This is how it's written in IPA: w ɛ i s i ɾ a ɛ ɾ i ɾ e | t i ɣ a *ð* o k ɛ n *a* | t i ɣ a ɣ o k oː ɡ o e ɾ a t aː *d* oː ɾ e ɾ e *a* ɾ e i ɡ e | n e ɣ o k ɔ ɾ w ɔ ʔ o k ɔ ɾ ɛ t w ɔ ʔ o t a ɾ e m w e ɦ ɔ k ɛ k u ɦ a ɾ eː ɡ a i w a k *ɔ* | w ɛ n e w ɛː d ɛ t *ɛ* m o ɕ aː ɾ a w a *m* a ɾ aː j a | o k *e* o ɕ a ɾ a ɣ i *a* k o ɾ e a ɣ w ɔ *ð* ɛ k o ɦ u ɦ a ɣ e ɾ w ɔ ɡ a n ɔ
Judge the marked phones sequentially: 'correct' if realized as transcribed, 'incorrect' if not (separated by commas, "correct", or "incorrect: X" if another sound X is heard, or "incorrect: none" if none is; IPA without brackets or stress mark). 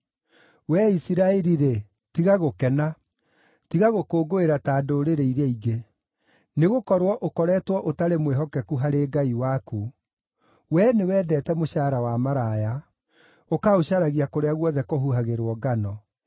incorrect: ɣ, correct, correct, incorrect: i, incorrect: u, correct, correct, incorrect: a, correct, correct